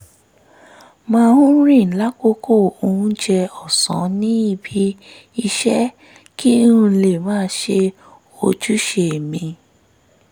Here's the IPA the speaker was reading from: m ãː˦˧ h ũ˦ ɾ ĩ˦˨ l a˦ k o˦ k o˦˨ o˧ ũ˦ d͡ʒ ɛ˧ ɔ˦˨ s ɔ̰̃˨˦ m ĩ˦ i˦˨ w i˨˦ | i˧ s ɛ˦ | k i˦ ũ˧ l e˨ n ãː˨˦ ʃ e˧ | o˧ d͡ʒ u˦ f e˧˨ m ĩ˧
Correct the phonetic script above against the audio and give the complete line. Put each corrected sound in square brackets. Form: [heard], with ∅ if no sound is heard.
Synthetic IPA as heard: m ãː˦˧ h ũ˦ ɾ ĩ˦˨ l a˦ k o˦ k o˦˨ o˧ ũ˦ d͡ʒ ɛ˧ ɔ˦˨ s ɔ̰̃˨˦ [n] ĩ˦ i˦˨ [b] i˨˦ | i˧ [ʃ] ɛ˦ | k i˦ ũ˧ l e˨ [m] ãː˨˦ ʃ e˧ | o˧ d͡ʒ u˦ [ʃ] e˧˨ m ĩ˧